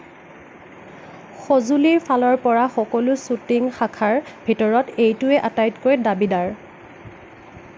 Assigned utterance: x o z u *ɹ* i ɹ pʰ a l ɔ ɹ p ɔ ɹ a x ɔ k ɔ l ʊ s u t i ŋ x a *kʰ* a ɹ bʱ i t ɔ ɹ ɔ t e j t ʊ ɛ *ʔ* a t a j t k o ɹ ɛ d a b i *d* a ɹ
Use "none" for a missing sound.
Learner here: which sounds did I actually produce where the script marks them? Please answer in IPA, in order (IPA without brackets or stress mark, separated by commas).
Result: l, kʰ, ʔ, d